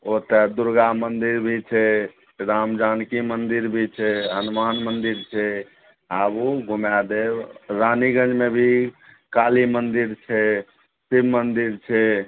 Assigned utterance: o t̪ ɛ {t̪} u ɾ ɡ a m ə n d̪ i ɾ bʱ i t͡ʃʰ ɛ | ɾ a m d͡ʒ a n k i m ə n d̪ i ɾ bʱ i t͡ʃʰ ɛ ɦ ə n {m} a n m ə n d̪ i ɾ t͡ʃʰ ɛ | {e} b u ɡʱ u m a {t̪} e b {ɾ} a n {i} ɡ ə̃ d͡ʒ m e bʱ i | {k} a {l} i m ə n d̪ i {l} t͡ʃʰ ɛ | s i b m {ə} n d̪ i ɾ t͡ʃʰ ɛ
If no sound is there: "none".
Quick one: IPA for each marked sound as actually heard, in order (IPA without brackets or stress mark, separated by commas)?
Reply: d̪, m, a, d̪, ɾ, i, k, l, ɾ, ə